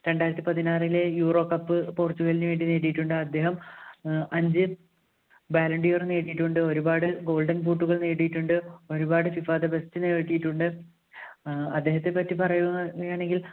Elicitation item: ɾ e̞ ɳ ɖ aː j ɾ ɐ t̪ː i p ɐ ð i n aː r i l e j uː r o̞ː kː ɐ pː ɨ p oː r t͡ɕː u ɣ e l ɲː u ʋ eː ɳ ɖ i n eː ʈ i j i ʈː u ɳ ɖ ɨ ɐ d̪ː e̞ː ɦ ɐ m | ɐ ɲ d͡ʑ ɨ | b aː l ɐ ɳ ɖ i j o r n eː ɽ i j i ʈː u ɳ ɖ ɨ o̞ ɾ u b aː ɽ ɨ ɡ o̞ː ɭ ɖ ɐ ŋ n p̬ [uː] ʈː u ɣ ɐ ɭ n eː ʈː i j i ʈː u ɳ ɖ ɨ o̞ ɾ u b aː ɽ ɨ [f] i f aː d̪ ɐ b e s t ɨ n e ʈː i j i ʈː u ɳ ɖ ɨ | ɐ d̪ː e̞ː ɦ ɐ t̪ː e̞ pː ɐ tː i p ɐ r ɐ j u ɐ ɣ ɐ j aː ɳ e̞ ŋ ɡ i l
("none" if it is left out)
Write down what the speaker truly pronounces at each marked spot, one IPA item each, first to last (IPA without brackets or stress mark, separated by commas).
uː, f